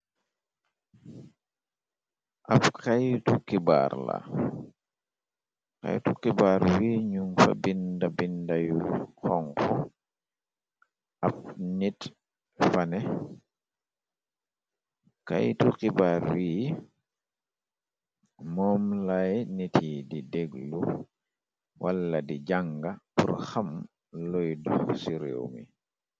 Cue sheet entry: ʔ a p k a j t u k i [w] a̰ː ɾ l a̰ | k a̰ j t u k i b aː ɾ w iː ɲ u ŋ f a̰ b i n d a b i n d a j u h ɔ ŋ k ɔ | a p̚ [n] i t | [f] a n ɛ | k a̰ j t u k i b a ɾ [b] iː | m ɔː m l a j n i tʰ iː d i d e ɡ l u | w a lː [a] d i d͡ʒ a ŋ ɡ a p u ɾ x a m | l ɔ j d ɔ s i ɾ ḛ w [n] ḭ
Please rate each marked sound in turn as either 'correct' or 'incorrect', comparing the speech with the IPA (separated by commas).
incorrect, correct, correct, incorrect, correct, incorrect